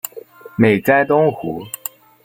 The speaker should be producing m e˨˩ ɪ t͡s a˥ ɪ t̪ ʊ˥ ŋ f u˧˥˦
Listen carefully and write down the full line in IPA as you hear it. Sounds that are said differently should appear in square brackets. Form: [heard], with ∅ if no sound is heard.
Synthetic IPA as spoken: m e˨˩ ɪ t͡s a˥ ɪ t̪ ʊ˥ ŋ [x] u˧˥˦